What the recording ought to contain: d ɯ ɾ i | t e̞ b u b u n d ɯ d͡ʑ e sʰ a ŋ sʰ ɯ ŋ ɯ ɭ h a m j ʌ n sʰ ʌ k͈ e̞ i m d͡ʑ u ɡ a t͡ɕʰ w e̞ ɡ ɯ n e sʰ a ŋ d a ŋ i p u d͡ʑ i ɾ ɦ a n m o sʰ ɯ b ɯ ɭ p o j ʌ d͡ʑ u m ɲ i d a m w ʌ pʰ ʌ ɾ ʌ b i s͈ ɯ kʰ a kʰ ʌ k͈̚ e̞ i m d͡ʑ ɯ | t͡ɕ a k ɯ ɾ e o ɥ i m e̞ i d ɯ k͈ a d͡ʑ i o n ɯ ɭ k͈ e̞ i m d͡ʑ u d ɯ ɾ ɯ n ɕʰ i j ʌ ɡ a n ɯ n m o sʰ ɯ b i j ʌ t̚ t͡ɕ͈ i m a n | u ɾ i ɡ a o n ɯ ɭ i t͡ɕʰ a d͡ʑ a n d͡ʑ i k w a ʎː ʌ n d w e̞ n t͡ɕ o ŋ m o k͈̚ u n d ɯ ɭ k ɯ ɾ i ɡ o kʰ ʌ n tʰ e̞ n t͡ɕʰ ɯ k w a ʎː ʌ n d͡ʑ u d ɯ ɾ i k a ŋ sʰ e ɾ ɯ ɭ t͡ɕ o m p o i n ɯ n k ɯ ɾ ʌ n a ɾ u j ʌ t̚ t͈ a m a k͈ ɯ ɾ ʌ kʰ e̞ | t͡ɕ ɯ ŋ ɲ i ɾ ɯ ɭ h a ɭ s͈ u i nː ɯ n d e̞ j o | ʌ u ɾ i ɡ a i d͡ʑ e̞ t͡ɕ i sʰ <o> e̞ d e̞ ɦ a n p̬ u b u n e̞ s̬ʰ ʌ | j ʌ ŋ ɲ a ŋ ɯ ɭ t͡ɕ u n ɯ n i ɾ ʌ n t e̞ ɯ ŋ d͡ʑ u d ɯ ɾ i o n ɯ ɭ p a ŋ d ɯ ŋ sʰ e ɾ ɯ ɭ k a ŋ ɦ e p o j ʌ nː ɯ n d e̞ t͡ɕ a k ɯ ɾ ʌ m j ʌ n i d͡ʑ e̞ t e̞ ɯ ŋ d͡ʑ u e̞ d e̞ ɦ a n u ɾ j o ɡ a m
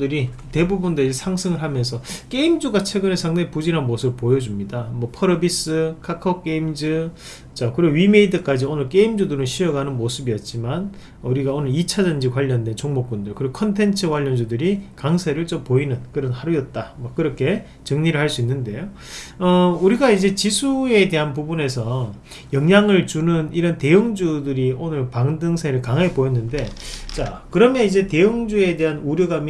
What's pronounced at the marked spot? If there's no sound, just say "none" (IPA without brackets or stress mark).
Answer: u